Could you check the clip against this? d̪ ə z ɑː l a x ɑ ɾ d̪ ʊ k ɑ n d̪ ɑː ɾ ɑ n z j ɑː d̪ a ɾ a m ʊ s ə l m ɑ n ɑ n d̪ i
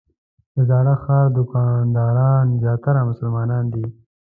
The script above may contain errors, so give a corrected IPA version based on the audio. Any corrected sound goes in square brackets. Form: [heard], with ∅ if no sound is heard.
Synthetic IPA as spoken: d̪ ə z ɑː [ɽ] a x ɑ ɾ d̪ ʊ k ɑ n d̪ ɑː ɾ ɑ n z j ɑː [t̪] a ɾ a m ʊ s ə l m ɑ n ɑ n d̪ i